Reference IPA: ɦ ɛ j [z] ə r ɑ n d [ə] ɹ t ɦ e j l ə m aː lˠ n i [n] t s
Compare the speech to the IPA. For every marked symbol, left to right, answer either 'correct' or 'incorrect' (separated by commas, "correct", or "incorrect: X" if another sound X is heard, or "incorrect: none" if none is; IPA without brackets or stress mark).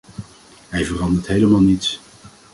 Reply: incorrect: v, correct, incorrect: none